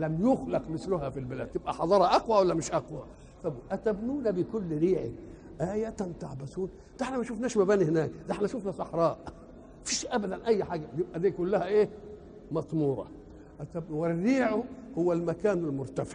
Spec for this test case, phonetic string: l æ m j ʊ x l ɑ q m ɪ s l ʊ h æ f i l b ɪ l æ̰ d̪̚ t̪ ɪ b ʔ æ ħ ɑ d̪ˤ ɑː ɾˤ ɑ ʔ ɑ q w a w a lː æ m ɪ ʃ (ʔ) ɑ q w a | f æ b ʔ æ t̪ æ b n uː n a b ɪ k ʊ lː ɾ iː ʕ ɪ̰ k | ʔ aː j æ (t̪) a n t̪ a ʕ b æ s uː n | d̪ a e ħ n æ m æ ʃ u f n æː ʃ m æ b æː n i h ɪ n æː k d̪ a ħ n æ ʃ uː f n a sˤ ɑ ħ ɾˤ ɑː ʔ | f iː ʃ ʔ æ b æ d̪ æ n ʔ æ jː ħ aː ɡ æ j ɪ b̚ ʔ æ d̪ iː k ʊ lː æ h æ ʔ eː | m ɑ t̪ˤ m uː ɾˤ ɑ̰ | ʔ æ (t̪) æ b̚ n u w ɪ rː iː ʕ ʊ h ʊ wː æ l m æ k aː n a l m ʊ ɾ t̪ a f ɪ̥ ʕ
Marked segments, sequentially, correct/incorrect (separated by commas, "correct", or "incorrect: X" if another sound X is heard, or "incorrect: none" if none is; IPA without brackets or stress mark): correct, correct, correct